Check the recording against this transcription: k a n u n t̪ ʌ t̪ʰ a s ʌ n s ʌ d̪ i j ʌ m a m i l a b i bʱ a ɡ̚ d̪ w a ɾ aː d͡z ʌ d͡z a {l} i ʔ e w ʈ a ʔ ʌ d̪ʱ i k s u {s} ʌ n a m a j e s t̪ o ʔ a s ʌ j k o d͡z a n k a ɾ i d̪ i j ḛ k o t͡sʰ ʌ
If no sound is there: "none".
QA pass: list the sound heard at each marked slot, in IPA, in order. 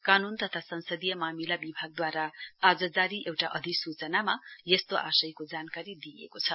ɾ, t͡s

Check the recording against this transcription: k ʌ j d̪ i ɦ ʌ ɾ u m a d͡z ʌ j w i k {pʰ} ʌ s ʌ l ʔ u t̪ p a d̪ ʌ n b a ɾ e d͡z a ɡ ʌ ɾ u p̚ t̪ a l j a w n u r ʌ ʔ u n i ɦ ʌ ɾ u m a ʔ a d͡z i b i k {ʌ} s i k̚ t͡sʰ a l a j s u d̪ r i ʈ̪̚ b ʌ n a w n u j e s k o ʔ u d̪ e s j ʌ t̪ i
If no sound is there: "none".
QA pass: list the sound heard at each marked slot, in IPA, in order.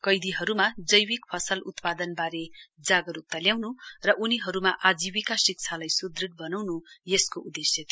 pʰ, a

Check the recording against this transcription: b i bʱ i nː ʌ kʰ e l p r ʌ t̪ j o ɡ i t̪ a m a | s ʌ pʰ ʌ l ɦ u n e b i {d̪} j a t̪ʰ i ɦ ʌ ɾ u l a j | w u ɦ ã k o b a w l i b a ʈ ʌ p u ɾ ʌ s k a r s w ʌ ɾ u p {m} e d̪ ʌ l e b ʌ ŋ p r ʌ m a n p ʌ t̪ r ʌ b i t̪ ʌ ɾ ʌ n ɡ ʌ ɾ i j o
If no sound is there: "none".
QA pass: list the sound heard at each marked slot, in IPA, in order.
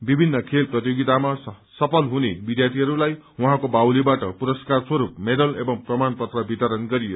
d̪, m

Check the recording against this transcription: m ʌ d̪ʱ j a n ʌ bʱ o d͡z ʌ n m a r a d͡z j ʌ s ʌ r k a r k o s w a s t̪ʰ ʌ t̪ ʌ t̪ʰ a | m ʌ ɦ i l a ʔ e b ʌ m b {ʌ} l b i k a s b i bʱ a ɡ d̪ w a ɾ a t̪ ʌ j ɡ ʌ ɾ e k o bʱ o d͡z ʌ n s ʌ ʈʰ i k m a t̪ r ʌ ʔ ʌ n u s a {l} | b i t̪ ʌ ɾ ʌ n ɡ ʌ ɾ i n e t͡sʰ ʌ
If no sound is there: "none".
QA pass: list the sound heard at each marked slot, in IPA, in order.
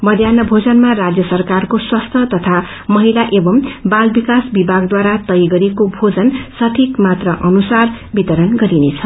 a, r

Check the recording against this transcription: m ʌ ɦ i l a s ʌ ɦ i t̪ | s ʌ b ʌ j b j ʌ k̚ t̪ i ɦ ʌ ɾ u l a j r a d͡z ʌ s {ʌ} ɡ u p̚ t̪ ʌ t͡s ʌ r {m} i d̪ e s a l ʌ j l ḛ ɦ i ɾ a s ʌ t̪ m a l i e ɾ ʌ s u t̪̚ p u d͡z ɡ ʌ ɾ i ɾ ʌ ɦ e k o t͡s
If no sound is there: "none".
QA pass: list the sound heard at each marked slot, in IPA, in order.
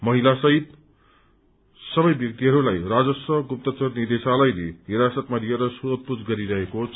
ʌ, n

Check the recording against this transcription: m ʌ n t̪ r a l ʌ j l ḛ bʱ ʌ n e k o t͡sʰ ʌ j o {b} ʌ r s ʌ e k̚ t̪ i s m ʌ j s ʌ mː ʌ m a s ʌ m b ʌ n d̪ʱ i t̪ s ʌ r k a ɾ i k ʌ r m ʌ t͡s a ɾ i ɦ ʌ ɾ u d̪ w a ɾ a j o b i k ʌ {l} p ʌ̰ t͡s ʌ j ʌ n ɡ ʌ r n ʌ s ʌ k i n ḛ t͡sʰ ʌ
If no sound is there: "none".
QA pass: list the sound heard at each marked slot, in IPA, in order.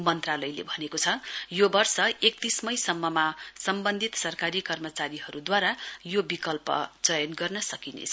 b, l

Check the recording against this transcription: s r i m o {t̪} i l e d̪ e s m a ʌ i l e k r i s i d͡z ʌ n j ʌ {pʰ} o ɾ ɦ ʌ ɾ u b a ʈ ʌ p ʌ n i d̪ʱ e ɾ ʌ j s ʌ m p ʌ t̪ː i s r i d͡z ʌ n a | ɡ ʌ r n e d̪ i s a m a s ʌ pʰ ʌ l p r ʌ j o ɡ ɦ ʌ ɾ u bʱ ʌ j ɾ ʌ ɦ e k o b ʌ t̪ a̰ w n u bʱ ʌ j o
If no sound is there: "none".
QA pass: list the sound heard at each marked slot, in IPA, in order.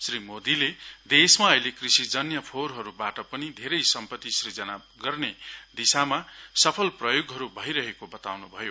d̪, pʰ

